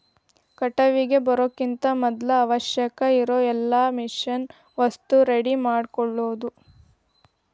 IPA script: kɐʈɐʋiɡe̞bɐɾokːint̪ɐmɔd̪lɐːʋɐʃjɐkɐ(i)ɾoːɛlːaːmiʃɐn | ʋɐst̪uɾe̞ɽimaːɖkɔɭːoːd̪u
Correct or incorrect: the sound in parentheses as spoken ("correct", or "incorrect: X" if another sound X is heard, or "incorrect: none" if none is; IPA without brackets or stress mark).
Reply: correct